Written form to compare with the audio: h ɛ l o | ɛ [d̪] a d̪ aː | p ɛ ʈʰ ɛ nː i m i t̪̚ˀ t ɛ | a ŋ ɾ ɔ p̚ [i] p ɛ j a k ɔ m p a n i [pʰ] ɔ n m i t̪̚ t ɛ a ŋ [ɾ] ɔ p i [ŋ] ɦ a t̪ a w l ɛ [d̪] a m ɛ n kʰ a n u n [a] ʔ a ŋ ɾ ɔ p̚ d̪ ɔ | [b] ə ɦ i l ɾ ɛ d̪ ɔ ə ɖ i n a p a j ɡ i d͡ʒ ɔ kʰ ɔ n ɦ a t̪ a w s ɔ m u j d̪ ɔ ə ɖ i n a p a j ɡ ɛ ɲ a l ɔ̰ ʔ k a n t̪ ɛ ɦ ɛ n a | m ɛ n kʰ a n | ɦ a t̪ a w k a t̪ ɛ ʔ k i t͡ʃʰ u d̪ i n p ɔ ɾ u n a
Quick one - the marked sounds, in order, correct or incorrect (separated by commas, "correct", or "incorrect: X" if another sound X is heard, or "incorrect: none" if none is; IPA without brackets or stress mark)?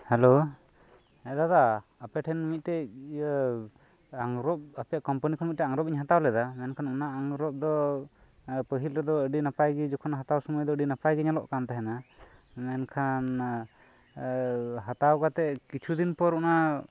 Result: correct, incorrect: a, incorrect: kʰ, correct, incorrect: ɲ, correct, correct, incorrect: p